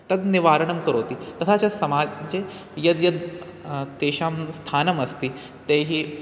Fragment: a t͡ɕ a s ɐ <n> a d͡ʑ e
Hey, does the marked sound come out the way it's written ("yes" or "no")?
no